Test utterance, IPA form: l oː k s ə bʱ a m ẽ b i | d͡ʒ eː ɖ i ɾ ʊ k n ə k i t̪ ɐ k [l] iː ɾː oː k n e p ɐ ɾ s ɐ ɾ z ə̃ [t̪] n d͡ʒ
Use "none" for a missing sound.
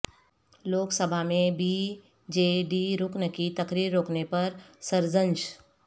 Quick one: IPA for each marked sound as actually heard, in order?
ɾ, none

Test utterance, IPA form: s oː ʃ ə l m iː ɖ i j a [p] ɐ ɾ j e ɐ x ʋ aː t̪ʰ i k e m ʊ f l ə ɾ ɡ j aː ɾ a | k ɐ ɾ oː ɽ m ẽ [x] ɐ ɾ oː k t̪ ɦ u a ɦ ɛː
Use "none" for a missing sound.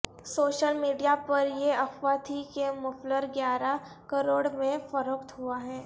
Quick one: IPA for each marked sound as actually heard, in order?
p, f

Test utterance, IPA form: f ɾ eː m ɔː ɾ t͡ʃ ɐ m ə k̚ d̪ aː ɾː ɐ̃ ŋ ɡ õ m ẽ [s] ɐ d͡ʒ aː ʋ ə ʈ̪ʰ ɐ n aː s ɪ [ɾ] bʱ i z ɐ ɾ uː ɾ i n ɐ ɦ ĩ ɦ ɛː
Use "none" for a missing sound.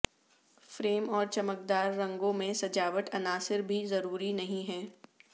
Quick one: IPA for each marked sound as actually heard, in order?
s, ɾ

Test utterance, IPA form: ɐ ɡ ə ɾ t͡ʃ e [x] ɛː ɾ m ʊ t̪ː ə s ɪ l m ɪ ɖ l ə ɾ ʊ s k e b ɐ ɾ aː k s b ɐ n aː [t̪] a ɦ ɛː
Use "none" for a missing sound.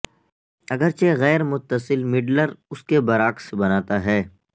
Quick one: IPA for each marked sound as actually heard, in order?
ɣ, t̪

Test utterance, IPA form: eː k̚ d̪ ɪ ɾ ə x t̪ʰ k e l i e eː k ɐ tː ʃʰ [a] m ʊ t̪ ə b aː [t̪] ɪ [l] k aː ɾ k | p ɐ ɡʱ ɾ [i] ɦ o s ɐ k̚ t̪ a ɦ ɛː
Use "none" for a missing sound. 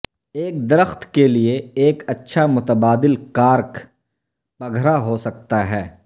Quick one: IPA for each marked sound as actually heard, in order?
a, d̪, l, a

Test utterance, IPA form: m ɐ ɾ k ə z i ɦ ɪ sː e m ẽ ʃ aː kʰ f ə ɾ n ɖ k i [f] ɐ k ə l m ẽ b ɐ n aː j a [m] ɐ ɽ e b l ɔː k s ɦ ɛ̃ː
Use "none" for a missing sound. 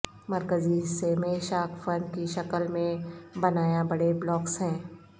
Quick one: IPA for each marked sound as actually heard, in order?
ʃ, b

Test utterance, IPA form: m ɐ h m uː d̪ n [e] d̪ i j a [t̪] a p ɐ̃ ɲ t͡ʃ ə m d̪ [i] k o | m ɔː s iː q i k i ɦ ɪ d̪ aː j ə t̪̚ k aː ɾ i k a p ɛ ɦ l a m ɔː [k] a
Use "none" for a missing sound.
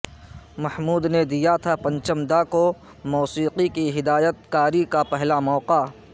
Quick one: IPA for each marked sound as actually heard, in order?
e, t̪ʰ, a, q

